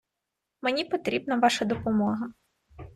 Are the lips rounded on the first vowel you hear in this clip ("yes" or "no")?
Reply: no